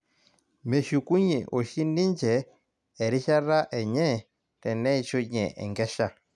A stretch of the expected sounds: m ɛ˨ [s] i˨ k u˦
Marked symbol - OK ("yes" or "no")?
no